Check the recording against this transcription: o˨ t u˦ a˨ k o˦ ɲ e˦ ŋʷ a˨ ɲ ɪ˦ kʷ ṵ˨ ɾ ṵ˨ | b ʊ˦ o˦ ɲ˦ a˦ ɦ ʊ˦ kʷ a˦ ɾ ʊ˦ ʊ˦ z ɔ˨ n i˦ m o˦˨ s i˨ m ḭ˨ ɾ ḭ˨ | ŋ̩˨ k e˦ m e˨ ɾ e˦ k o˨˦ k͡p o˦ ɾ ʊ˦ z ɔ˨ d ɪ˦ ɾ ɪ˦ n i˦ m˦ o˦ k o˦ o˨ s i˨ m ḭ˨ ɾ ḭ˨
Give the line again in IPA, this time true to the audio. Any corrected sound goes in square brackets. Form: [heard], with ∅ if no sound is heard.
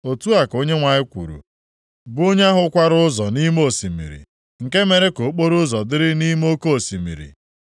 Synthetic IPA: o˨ t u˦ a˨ k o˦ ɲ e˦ ŋʷ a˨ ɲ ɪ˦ kʷ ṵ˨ ɾ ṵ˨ | b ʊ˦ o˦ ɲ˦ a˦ ɦ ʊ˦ kʷ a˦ ɾ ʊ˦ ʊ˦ z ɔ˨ n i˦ m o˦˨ s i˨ m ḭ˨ ɾ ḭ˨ | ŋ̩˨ k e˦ m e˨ ɾ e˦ k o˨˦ k͡p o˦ ɾ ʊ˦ z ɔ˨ d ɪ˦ ɾ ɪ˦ n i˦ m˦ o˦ k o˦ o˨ s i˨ m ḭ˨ ɾ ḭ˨

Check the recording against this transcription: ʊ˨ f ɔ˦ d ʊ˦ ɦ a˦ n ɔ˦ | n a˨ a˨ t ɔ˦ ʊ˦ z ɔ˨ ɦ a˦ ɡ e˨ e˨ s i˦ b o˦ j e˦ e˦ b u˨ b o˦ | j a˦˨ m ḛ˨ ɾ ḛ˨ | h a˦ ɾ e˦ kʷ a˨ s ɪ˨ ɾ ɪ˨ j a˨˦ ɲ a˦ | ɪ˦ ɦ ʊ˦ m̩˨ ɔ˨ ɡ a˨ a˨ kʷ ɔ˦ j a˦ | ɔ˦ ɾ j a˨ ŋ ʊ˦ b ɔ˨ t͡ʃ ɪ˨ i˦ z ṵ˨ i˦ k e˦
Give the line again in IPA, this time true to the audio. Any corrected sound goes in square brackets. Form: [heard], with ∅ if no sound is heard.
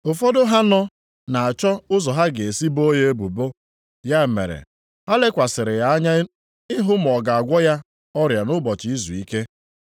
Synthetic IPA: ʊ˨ f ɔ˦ d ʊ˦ ɦ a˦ n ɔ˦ | n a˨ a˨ [t͡ʃ] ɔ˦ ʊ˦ z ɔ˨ ɦ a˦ ɡ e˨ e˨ s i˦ b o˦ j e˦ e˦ b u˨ b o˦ | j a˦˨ m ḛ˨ ɾ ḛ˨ | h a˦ [l] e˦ kʷ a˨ s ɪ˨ ɾ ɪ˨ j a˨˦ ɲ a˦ | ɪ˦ ɦ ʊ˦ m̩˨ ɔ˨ ɡ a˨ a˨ [ɡʷ] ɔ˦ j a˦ | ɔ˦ ɾ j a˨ [n] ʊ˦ b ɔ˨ t͡ʃ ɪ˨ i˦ z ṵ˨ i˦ k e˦

